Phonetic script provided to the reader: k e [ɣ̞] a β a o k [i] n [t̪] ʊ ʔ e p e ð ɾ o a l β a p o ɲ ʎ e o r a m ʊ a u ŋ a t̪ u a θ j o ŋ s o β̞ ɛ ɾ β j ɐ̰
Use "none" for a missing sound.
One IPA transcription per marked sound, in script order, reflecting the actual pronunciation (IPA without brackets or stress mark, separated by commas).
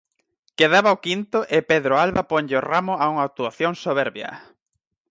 ð̞, i, t̪